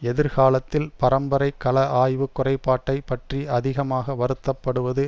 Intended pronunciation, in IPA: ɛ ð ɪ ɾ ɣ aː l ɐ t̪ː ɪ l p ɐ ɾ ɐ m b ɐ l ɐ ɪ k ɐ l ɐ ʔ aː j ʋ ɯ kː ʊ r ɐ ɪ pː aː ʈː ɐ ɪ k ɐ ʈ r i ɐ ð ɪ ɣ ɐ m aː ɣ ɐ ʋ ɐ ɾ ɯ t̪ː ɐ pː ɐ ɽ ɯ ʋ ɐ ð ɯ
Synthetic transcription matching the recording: ɛ ð ɪ ɾ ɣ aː l ɐ t̪ː ɪ l p ɐ ɾ ɐ m b ɐ ɾ ɐ ɪ k ɐ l ɐ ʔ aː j ʋ ɯ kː ʊ r ɐ ɪ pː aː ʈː ɐ ɪ p ɐ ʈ r i ɐ ð ɪ ɣ ɐ m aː ɣ ɐ ʋ ɐ ɾ ɯ t̪ː ɐ pː ɐ ɽ ɯ ʋ ɐ ð ɯ